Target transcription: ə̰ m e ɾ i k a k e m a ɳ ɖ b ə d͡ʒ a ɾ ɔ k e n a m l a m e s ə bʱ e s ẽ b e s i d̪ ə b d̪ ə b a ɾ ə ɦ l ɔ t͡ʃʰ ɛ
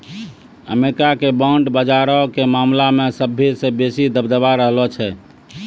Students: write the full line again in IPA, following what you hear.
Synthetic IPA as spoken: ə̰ m e ɾ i k a k e b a ɳ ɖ b ə d͡ʒ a ɾ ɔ k e m a m l a m e s ə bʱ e s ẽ b e s i d̪ ə b d̪ ə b a ɾ ə ɦ l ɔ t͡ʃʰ ɛ

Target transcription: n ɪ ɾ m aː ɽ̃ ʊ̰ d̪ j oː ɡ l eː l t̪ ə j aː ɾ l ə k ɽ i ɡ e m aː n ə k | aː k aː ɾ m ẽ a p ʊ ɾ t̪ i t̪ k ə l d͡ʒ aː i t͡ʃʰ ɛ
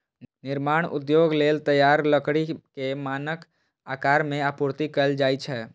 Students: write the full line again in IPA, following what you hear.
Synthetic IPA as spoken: n ɪ ɾ m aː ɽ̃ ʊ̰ d̪ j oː ɡ l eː l t̪ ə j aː ɾ l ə k ɽ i k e m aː n ə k | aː k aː ɾ m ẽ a p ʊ ɾ t̪ i k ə l d͡ʒ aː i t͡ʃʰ ɛ

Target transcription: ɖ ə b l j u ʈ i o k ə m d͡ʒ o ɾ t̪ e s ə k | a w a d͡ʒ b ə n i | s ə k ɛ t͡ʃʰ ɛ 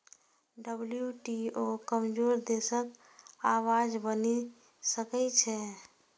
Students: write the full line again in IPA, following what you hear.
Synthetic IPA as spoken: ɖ ə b l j u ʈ i o k ə m d͡ʒ o ɾ d̪ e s ə k | a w a d͡ʒ b ə n i | s ə k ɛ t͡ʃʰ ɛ

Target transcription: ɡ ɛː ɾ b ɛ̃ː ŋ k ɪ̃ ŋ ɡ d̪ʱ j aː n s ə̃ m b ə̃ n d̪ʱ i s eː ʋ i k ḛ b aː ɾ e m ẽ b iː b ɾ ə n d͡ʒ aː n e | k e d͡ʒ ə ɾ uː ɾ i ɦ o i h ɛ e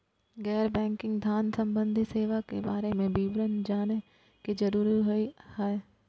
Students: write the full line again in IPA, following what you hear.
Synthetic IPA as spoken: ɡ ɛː ɾ b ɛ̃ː ŋ k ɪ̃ ŋ ɡ d̪ʱ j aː n s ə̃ m b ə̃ n d̪ʱ i s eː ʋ a k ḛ b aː ɾ e m ẽ b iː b ɾ ə n d͡ʒ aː n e | k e d͡ʒ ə ɾ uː ɾ i ɦ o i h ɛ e

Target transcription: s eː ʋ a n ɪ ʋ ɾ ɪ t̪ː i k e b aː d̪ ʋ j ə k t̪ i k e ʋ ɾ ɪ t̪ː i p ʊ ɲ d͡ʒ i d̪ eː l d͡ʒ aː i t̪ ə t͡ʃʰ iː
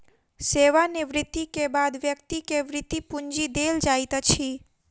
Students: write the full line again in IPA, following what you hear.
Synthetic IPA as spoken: s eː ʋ a n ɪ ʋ ɾ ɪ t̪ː i k e b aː d̪ ʋ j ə k t̪ i k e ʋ ɾ ɪ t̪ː i p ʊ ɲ d͡ʒ i d̪ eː l d͡ʒ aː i t̪ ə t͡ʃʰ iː

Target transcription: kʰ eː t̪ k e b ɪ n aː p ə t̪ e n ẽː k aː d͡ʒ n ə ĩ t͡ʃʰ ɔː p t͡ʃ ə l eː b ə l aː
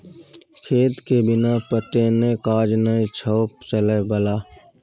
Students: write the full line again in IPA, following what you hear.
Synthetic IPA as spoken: kʰ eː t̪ k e b ɪ n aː p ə t̪ e n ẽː k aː d͡ʒ n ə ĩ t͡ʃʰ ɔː p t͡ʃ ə l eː b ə l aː

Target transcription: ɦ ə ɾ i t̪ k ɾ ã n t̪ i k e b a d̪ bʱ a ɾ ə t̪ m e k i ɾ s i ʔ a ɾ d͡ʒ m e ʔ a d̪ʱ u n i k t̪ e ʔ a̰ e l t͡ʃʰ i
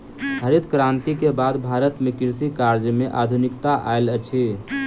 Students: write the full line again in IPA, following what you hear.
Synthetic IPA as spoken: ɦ ə ɾ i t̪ k ɾ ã n t̪ i k e b a d̪ bʱ a ɾ ə t̪ m e k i ɾ s i k a ɾ d͡ʒ m e ʔ a d̪ʱ u n i k t̪ a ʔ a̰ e l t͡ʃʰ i

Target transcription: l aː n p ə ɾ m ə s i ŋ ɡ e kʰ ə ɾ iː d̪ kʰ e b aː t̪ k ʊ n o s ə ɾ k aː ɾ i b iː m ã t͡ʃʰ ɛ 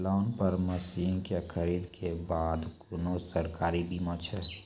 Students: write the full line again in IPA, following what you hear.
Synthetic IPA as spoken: l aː n p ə ɾ m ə s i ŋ k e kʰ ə ɾ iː d̪ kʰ e b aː d̪ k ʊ n o s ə ɾ k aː ɾ i b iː m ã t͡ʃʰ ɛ

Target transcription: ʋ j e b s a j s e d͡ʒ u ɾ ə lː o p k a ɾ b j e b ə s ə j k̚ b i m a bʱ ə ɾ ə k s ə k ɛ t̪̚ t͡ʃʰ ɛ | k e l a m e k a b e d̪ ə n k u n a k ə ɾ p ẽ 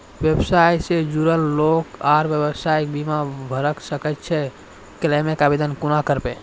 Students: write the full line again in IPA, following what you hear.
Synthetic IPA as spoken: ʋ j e b s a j s e d͡ʒ u ɾ ə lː o k a ɾ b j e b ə s a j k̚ b i m a bʱ ə ɾ ə k s ə k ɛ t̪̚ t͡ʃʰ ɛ | k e l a m e k a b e d̪ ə n k u n a k ə ɾ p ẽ

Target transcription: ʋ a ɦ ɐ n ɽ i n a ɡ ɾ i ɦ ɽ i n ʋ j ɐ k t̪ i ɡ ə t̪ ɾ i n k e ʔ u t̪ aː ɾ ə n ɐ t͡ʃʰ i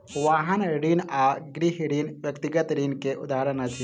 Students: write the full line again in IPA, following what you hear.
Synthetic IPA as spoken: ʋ a ɦ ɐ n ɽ i n a ɡ ɾ i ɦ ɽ i n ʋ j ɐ k t̪ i ɡ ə t̪ ɾ i n k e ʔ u d̪ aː ɾ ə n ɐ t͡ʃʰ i

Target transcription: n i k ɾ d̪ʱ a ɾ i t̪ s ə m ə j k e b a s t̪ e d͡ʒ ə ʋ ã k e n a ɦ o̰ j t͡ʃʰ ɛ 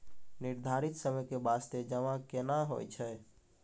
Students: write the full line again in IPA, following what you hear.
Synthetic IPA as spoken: n i ɾ d̪ʱ a ɾ i t̪ s ə m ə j k e b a s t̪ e d͡ʒ ə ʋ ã k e n a ɦ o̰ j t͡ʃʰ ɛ

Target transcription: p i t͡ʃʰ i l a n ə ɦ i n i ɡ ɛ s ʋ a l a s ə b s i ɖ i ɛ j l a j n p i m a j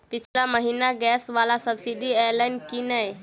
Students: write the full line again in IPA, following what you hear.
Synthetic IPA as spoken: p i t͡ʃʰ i l a m ə ɦ i n a ɡ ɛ s ʋ a l a s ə b s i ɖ i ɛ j l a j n k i n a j

